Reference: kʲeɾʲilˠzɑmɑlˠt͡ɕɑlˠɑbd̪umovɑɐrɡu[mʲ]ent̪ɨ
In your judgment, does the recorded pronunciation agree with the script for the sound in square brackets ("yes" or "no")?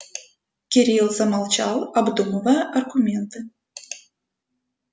yes